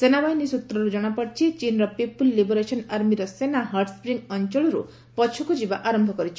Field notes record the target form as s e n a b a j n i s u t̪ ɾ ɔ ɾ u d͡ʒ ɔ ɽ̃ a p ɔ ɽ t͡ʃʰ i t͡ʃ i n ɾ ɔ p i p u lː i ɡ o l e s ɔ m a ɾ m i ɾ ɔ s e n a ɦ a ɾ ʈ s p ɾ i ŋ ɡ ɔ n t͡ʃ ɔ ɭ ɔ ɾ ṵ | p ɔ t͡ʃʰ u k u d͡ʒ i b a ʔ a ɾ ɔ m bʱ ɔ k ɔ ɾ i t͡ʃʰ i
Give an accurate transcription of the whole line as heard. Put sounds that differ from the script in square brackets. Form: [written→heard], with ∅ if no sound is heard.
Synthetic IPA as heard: s e n a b a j n i s u t̪ ɾ ɔ ɾ u d͡ʒ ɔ ɽ̃ a p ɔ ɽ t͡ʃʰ i t͡ʃ i n ɾ ɔ p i p u lː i [ɡ→b] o [l→ɾ] e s ɔ [m→n] a ɾ m i ɾ ɔ s e n a ɦ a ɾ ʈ s p ɾ i ŋ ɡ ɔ n t͡ʃ ɔ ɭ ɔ ɾ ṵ | p ɔ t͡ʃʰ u k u d͡ʒ i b a ʔ a ɾ ɔ m bʱ ɔ k ɔ ɾ i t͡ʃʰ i

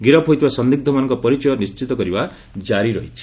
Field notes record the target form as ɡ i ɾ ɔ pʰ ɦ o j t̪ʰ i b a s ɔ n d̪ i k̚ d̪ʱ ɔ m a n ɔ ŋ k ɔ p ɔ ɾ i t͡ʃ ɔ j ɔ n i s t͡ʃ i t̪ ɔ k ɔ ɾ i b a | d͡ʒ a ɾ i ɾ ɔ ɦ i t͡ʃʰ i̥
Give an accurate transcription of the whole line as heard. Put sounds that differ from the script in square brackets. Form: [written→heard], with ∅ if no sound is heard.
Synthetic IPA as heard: ɡ i ɾ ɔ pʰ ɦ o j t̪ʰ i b a s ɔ n d̪ i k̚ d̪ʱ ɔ m a n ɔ ŋ k ɔ p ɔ ɾ i t͡ʃ ɔ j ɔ n i s t͡ʃ i t̪ ɔ k ɔ ɾ i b a | d͡ʒ a ɾ i ɾ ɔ ɦ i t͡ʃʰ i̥

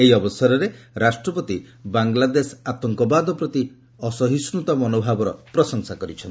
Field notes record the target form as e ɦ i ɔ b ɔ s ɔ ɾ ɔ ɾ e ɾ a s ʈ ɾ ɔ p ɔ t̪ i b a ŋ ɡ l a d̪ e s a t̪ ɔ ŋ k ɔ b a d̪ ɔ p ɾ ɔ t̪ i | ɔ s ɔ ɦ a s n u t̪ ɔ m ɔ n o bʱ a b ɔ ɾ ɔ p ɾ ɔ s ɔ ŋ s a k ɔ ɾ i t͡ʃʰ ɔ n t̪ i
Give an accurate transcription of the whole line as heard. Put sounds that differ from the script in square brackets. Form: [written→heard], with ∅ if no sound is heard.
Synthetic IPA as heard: e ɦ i ɔ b ɔ s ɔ ɾ ɔ ɾ e ɾ a s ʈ ɾ ɔ p ɔ t̪ i b a ŋ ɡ l a d̪ e s a t̪ ɔ ŋ k ɔ b a d̪ ɔ p ɾ ɔ t̪ i | ɔ s ɔ ɦ [a→i] s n u t̪ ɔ m ɔ n o bʱ a b ɔ ɾ ɔ p ɾ ɔ s ɔ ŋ s a k ɔ ɾ i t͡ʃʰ ɔ n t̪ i

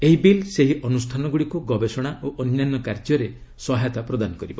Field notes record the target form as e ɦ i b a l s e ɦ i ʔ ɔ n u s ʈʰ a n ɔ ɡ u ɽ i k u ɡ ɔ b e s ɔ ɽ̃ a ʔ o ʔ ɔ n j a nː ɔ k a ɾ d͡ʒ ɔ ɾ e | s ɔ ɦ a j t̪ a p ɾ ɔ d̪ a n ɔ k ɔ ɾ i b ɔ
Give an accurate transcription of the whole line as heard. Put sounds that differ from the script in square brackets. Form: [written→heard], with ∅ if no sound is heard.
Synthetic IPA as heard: e ɦ i b [a→i] l s e ɦ i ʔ ɔ n u s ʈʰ a n ɔ ɡ u ɽ i k u ɡ ɔ b e s ɔ ɽ̃ a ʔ o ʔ ɔ n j a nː ɔ k a ɾ d͡ʒ ɔ ɾ e | s ɔ ɦ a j t̪ a p ɾ ɔ d̪ a n ɔ k ɔ ɾ i b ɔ

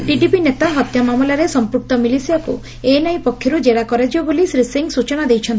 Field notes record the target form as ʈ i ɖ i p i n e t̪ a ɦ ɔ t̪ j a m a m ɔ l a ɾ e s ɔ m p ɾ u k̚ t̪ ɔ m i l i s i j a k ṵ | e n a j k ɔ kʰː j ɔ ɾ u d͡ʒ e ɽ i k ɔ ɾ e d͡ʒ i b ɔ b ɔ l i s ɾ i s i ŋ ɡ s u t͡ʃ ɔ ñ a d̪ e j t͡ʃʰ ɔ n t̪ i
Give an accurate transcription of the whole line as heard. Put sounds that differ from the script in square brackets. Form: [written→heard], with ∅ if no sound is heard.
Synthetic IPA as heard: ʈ i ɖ i p i n e t̪ a ɦ ɔ t̪ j a m a m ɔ l a ɾ e s ɔ m p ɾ u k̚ t̪ ɔ m i l i s i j a k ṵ | e n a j [k→p] ɔ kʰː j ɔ ɾ u d͡ʒ e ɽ [i→a] k ɔ ɾ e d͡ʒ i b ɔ b [ɔ→o] l i s ɾ i s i ŋ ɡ s u t͡ʃ ɔ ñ a d̪ e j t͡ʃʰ ɔ n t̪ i

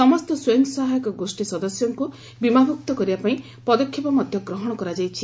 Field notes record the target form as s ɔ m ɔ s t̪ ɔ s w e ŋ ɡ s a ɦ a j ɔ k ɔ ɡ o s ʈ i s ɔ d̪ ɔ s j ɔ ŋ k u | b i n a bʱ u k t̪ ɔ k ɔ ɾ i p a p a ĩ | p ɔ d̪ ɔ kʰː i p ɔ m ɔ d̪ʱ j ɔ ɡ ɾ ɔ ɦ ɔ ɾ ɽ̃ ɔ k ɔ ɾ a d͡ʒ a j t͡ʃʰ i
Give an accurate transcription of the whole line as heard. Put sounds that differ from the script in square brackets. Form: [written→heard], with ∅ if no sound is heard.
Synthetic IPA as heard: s ɔ m ɔ s t̪ ɔ s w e ŋ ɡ s a ɦ a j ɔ k ɔ ɡ o s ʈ i s ɔ d̪ ɔ s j ɔ ŋ k u | b i [n→m] a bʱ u k t̪ ɔ k ɔ ɾ i [p→b] a p a ĩ | p ɔ d̪ ɔ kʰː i p ɔ m ɔ d̪ʱ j ɔ ɡ ɾ ɔ ɦ ɔ [ɾ→∅] ɽ̃ ɔ k ɔ ɾ a d͡ʒ a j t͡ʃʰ i

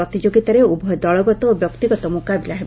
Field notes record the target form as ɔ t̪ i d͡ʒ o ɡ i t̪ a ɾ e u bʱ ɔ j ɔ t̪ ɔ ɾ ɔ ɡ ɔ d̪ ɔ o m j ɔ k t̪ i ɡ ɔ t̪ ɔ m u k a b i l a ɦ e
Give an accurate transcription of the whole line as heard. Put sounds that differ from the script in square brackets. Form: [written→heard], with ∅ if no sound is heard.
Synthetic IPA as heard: ɔ t̪ i d͡ʒ o ɡ i t̪ a ɾ e u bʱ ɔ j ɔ [t̪→d̪] ɔ [ɾ→ɭ] ɔ ɡ ɔ [d̪→t̪] ɔ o [m→b] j ɔ k t̪ i ɡ ɔ t̪ ɔ m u k a b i l a ɦ e

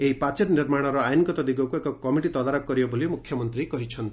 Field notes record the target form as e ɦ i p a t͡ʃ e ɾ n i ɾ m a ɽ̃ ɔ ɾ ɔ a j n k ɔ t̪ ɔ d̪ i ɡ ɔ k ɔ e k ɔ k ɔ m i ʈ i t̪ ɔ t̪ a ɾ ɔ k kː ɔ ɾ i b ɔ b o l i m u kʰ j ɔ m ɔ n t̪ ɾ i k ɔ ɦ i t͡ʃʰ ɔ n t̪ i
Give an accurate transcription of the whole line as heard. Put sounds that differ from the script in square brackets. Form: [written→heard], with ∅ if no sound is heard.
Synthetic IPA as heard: e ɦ i p a t͡ʃ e ɾ n i ɾ m a ɽ̃ ɔ ɾ ɔ a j n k ɔ t̪ ɔ d̪ i ɡ ɔ k [ɔ→u] e k ɔ k ɔ m i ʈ i t̪ ɔ [t̪→d̪] a ɾ ɔ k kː ɔ ɾ i b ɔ b o l i m u kʰ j ɔ m ɔ n t̪ ɾ i k ɔ ɦ i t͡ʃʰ ɔ n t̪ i

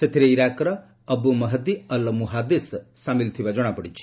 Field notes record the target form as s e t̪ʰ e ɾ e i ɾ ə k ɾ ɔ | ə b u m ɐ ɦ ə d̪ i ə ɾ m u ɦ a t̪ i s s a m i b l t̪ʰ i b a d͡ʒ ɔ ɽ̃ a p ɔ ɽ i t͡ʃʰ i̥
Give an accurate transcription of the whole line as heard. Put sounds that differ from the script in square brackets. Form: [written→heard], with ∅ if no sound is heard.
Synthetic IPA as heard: s e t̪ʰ [e→i] ɾ e i ɾ [ə→a] k ɾ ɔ | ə b u m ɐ ɦ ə d̪ i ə [ɾ→l] m u ɦ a [t̪→d̪] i s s a m i [b→∅] l t̪ʰ i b a d͡ʒ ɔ ɽ̃ a p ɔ ɽ i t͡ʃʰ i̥

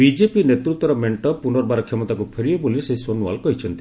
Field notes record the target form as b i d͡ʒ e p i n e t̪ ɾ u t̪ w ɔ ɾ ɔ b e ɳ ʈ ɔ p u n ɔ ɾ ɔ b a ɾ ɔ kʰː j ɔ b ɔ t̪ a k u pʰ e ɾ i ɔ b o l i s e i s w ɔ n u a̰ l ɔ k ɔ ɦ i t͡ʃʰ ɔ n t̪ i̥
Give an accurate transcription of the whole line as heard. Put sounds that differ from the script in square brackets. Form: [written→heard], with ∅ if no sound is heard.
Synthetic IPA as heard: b i d͡ʒ e p i n e t̪ ɾ u t̪ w ɔ ɾ ɔ [b→m] e ɳ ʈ ɔ p u n ɔ ɾ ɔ b a ɾ ɔ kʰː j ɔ [b→m] ɔ t̪ a k u pʰ e ɾ i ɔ b o l i s e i s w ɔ n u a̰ l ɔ k ɔ ɦ i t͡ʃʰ ɔ n t̪ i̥

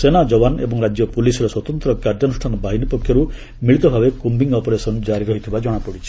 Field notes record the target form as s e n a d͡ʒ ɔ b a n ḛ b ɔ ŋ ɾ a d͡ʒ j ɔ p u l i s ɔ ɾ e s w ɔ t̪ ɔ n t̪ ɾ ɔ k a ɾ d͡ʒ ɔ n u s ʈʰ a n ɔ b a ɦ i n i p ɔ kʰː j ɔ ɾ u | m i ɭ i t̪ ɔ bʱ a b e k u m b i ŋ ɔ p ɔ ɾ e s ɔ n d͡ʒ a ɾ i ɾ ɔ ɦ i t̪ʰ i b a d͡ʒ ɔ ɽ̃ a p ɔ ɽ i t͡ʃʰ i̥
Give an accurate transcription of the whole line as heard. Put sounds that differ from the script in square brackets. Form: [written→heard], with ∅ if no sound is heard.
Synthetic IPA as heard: s e n a d͡ʒ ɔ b a n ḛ b ɔ ŋ ɾ a d͡ʒ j ɔ p u l i s ɔ ɾ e s w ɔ t̪ ɔ n t̪ ɾ ɔ k a ɾ d͡ʒ ɔ n u s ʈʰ a n ɔ b a ɦ i n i p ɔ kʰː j ɔ ɾ u | m i ɭ i t̪ ɔ bʱ a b e k u m b i ŋ ɔ p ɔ ɾ e s ɔ n d͡ʒ a ɾ i ɾ ɔ ɦ i t̪ʰ i b a d͡ʒ ɔ ɽ̃ a p ɔ ɽ i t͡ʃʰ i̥

